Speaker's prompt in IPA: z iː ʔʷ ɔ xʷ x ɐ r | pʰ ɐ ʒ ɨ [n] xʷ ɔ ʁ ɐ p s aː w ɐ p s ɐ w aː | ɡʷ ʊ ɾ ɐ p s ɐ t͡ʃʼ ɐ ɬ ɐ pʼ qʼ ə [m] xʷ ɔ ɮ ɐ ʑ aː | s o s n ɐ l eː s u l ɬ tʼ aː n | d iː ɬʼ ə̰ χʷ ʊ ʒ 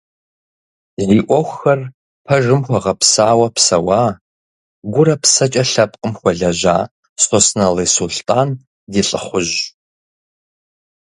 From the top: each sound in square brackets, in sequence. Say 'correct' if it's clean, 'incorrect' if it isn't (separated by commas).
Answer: incorrect, correct